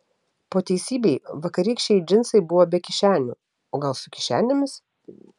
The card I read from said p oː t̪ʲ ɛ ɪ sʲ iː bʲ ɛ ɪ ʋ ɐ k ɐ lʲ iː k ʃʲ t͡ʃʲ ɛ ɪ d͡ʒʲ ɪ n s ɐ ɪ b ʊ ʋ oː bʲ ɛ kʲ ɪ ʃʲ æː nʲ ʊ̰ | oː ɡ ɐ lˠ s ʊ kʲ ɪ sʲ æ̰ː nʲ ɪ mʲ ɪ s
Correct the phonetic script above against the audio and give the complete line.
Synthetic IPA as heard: p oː t̪ʲ ɛ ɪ sʲ iː bʲ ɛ ɪ ʋ ɐ k ɐ ɾʲ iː k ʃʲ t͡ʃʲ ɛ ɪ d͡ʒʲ ɪ n s ɐ ɪ b ʊ ʋ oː bʲ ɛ kʲ ɪ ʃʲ æː nʲ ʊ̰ | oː ɡ ɐ lˠ s ʊ kʲ ɪ ʃʲ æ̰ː nʲ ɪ mʲ ɪ s